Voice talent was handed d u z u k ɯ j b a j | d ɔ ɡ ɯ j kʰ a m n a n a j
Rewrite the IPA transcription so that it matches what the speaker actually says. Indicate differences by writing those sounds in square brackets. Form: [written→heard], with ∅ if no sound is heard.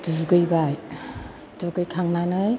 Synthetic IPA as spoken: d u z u [k→ɡ] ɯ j b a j | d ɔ ɡ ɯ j kʰ a [m→ŋ] n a n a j